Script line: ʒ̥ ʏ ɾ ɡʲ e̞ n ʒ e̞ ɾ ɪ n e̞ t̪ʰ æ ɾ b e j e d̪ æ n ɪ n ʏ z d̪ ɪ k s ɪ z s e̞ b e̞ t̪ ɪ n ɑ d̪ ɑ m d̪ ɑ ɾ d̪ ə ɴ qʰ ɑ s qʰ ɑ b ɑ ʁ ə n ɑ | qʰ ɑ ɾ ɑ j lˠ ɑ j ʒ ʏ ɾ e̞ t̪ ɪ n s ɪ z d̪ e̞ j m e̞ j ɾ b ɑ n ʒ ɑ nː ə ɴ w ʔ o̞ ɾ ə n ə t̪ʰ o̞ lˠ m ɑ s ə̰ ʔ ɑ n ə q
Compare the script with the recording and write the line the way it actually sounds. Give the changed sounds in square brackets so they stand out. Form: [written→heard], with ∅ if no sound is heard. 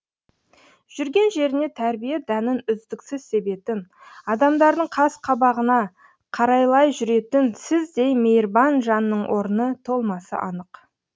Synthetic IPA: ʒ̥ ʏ ɾ ɡʲ e̞ n ʒ e̞ ɾ ɪ n e̞ t̪ʰ æ ɾ b [e→i] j e d̪ æ n ɪ n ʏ z d̪ ɪ k s ɪ z s e̞ b e̞ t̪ ɪ n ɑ d̪ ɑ m d̪ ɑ ɾ d̪ ə ɴ qʰ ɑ s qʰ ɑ b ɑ ʁ ə n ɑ | qʰ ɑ ɾ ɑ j lˠ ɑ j ʒ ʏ ɾ e̞ t̪ ɪ n s ɪ z d̪ e̞ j m e̞ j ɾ b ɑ n ʒ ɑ nː ə ɴ w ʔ o̞ ɾ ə n ə t̪ʰ o̞ lˠ m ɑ s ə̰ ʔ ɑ n ə q